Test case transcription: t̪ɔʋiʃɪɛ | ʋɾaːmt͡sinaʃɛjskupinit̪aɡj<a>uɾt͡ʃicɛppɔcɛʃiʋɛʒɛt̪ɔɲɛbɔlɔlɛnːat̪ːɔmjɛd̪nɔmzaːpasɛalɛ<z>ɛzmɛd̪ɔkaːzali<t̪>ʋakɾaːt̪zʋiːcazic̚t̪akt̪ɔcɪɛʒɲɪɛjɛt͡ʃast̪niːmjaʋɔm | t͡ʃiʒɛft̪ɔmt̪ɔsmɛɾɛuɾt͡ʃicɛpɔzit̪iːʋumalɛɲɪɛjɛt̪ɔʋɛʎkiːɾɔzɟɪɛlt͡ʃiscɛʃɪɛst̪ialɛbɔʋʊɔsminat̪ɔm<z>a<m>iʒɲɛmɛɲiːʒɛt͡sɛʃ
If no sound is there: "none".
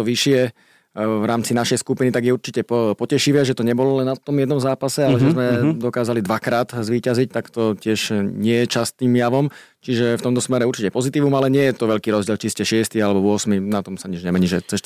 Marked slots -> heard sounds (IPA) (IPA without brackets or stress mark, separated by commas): ɛ, ʒ, d̪, s, ɲ